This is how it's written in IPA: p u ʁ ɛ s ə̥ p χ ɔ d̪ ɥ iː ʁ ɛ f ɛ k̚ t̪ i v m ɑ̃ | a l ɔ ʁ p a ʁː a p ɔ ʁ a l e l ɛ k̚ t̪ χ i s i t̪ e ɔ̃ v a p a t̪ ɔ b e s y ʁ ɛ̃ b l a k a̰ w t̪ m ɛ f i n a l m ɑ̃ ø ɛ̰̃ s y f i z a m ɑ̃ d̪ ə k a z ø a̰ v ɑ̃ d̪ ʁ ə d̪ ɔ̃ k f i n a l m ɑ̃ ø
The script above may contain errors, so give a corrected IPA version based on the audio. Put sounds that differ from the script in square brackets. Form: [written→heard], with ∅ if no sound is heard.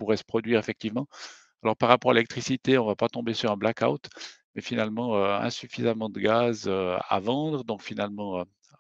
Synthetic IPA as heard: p u ʁ ɛ s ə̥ p χ ɔ d̪ ɥ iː ʁ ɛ f ɛ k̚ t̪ i v m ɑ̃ | a l ɔ ʁ p a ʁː a p ɔ ʁ a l e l ɛ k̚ t̪ χ i s i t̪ e ɔ̃ v a p a t̪ [ɔ→ɔ̃] b e s y ʁ ɛ̃ b l a k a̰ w t̪ m ɛ f i n a l m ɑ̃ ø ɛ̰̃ s y f i z a m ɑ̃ d̪ ə [k→ɡ] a z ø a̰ v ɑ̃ d̪ ʁ ə d̪ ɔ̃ k f i n a l m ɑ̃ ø